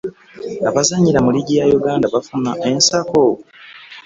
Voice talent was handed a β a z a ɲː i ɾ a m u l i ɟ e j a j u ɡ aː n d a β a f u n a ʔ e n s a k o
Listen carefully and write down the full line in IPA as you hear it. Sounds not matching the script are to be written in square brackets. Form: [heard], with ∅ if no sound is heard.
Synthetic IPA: a β a z a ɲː i ɾ a m u l i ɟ [i] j a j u ɡ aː n d a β a f u n a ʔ e n s a k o